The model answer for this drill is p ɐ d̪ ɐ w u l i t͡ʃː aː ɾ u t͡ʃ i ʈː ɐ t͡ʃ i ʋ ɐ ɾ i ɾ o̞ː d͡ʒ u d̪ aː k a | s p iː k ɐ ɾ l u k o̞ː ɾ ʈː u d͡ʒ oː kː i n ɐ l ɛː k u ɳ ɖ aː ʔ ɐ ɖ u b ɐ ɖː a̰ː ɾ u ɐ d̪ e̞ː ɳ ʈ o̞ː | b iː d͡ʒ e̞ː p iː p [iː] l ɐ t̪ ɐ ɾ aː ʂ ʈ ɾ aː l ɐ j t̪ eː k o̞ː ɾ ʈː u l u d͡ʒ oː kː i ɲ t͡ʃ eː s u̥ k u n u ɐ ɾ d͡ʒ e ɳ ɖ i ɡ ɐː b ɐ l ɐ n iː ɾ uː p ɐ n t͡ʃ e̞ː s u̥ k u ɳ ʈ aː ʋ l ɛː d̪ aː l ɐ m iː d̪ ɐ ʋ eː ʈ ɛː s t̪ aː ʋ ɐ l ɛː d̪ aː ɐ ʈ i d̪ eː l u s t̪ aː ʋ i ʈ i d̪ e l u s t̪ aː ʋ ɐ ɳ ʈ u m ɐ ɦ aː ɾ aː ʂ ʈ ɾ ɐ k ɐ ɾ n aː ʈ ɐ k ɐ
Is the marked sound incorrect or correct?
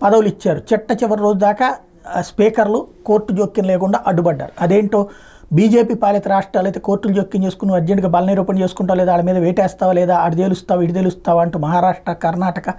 incorrect: aː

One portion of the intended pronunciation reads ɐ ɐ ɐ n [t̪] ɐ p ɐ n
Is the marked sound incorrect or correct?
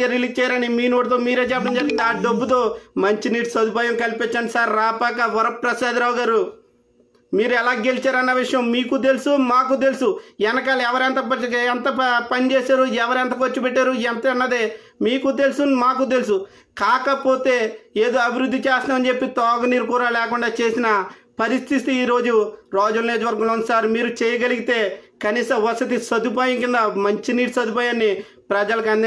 correct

